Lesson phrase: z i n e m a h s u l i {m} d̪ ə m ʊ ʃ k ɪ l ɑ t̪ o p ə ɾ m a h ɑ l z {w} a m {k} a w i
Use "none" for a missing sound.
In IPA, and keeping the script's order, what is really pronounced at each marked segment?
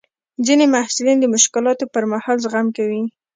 n, ɣ, k

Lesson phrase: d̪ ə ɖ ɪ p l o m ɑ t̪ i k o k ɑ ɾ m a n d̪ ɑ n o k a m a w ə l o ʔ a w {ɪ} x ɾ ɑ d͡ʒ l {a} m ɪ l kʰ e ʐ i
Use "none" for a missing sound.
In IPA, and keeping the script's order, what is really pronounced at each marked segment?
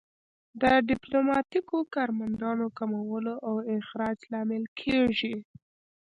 ɪ, ɑ

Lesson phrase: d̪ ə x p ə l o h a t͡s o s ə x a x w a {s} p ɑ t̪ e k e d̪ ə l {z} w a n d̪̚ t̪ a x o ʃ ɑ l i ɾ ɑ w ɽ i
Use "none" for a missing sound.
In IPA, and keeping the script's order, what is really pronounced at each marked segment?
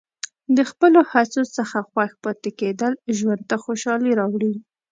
x, ʒ

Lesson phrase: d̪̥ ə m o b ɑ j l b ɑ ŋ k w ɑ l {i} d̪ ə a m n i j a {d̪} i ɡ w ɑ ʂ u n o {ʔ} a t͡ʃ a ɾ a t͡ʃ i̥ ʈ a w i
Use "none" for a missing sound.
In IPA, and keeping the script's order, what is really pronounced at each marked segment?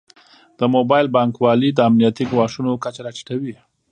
i, t̪, k

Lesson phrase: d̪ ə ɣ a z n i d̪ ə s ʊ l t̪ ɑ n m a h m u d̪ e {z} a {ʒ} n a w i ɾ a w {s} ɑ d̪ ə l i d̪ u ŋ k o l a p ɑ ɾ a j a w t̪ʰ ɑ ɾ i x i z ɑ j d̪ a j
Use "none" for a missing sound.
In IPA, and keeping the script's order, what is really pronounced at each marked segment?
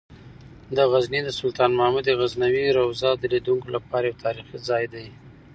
ɣ, z, z

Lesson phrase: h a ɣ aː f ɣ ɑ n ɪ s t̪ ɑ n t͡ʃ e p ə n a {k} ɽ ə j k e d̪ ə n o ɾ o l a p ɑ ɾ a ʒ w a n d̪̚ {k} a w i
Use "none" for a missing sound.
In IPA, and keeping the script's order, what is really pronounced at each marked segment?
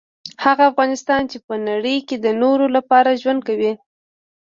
none, k

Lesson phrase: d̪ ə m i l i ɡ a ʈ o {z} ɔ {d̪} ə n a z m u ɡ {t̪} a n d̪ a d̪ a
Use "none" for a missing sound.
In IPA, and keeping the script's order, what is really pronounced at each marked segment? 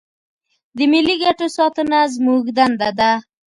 s, t̪, d̪

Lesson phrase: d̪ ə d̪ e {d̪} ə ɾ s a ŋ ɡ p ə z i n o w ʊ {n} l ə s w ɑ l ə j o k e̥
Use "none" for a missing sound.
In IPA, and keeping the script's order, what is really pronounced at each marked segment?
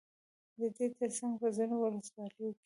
t̪, none

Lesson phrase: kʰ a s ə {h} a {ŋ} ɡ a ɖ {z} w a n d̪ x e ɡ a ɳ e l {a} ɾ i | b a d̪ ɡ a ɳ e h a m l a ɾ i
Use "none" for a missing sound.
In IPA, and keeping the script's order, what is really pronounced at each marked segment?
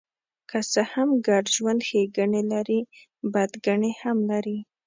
h, m, ʒ, a

